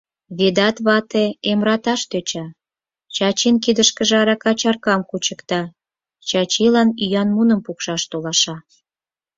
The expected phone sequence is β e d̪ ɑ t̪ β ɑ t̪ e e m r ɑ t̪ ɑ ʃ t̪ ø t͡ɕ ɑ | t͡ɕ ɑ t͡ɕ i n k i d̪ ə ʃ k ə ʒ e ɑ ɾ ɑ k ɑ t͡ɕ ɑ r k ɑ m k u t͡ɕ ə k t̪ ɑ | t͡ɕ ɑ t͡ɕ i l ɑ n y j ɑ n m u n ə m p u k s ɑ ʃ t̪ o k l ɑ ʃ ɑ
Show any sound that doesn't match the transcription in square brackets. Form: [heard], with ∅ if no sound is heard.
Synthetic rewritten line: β e d̪ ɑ t̪ β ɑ t̪ e e m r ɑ t̪ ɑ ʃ t̪ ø t͡ɕ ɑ | t͡ɕ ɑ t͡ɕ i n k i d̪ ə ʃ k ə ʒ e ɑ ɾ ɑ k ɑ t͡ɕ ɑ r k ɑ m k u t͡ɕ ə k t̪ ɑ | t͡ɕ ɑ t͡ɕ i l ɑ n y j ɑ n m u n ə m p u k [ʃ] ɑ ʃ t̪ o [∅] l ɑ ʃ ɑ

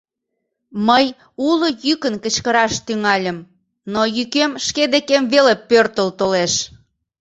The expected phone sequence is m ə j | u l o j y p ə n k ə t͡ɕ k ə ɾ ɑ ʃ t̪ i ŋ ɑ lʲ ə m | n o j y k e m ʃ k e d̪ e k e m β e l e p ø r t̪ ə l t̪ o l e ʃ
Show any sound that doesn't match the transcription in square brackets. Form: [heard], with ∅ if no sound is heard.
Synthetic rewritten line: m ə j | u l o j y [k] ə n k ə t͡ɕ k ə ɾ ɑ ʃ t̪ [y] ŋ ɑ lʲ ə m | n o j y k e m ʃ k e d̪ e k e m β e l e p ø r t̪ ə l t̪ o l e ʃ

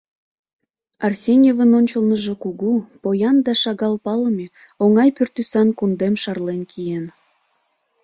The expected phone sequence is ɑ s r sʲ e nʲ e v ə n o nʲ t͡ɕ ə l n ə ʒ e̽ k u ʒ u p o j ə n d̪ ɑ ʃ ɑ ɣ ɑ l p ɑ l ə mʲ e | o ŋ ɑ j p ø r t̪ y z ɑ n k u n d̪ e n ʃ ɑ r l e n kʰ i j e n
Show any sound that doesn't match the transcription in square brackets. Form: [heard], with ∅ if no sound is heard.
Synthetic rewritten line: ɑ [∅] r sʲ e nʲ e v ə n o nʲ t͡ɕ ə l n ə ʒ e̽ k u [ɣ] u p o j [ɑ] n d̪ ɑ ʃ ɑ ɣ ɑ l p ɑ l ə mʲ e | o ŋ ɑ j p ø r t̪ y [s] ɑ n k u n d̪ e [m] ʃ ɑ r l e n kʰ i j e n

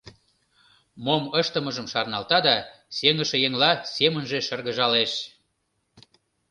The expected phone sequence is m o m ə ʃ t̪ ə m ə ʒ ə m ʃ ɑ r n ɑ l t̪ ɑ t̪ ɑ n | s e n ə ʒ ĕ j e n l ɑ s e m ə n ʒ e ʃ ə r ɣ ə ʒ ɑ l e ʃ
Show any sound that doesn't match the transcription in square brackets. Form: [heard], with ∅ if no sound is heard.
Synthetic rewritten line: m o m ə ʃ t̪ ə m ə ʒ ə m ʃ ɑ r n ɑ l t̪ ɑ [d̪] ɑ [∅] | s e [ŋ] ə [ʃ] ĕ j e [ŋ] l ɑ s e m ə n ʒ e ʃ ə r ɣ ə ʒ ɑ l e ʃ

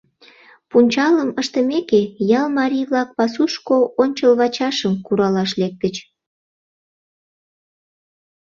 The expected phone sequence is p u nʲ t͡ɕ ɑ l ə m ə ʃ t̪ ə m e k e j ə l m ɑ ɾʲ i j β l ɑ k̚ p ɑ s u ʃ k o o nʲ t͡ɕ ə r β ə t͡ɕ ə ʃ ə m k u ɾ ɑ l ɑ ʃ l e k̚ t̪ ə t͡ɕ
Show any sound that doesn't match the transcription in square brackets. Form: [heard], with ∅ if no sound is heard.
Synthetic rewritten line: p u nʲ t͡ɕ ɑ l ə m ə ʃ t̪ ə m e k e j [ɑ] l m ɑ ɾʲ i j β l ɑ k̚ p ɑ s u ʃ k o o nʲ t͡ɕ ə [l] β [ɑ] t͡ɕ [ɑ] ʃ ə m k u ɾ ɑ l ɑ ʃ l e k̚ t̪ ə t͡ɕ

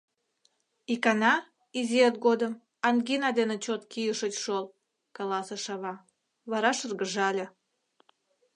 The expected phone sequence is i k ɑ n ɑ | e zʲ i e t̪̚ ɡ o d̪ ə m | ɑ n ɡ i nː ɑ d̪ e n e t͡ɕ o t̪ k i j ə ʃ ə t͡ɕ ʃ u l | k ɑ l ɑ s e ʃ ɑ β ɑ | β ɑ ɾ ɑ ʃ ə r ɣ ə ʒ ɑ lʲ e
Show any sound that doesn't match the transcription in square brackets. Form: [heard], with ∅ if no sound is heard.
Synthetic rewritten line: i k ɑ n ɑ | [i] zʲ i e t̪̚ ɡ o d̪ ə m | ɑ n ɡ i [n] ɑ d̪ e n e t͡ɕ o t̪ k i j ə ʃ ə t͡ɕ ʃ [o] l | k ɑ l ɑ s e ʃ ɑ β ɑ | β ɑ ɾ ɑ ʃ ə r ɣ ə ʒ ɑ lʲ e

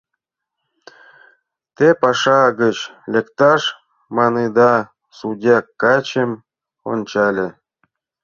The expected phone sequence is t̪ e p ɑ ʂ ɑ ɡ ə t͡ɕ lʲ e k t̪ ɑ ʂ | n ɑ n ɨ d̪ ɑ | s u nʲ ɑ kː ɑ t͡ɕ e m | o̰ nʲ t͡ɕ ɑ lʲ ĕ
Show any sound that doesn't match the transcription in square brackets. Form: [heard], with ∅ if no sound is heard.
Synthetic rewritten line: t̪ e p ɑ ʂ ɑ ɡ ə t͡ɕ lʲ e k t̪ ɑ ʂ | [m] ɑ n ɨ d̪ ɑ | s u [dʲ] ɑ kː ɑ t͡ɕ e m | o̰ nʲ t͡ɕ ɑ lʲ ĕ

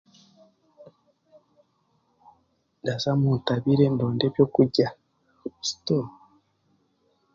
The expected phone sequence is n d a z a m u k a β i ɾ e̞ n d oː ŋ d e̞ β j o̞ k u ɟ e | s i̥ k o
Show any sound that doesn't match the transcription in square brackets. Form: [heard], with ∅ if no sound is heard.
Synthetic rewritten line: n d a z a m u [t] a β i ɾ e̞ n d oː [n] d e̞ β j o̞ k u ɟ [a] | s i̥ [t] o

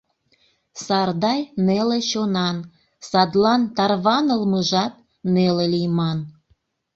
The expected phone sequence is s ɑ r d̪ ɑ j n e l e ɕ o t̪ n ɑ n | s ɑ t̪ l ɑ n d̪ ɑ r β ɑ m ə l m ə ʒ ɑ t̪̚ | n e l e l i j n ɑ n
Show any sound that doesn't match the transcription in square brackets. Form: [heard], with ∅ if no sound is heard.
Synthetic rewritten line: s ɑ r d̪ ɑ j n e l e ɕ o [∅] n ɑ n | s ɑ [d̪] l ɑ n [t̪] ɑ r β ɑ [n] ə l m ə ʒ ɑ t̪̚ | n e l e l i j [m] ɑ n

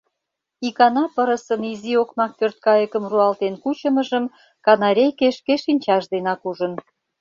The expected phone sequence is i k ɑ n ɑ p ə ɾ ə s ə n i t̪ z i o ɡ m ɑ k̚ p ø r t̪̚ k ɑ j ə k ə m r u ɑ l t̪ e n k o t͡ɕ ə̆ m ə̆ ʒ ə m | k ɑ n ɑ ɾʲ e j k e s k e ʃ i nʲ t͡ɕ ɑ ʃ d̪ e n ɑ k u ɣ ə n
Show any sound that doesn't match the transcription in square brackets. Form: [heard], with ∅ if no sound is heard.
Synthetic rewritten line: i k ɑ n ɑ p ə ɾ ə s ə n i [∅] z i o [k] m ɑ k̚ p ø r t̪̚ k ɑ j ə k ə m r u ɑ l t̪ e n k [u] t͡ɕ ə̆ m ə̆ ʒ ə m | k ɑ n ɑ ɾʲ e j k e [ʃ] k e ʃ i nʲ t͡ɕ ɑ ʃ d̪ e n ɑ k u [ʒ] ə n

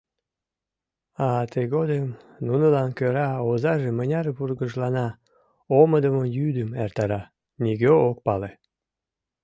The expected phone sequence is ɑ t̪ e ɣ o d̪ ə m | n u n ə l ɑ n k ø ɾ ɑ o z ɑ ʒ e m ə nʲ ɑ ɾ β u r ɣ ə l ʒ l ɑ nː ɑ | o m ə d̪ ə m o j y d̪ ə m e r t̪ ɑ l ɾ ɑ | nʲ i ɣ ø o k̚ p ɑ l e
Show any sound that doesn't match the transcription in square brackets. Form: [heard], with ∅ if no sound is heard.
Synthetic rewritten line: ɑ t̪ e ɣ o d̪ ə m | n u n ə l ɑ n k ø ɾ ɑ o z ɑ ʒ e m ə nʲ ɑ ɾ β u r ɣ ə [∅] ʒ l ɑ [n] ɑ | o m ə d̪ ə m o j y d̪ ə m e r t̪ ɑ [∅] ɾ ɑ | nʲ i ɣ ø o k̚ p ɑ l e

